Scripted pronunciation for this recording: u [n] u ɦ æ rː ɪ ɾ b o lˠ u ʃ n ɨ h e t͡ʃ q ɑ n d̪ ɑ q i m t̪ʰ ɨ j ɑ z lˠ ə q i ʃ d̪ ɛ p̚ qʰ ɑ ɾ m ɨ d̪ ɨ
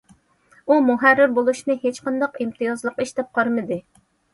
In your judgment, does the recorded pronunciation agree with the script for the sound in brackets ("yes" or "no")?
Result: no